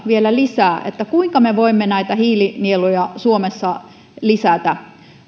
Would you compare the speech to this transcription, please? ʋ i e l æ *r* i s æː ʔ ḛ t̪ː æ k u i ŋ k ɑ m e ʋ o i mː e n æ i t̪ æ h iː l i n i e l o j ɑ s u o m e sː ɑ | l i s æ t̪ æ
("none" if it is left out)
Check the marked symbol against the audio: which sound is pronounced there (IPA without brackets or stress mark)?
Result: l